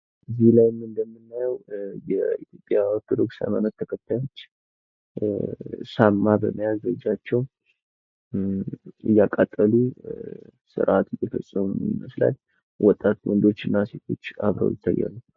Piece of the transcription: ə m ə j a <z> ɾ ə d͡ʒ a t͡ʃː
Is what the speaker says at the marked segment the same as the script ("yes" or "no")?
yes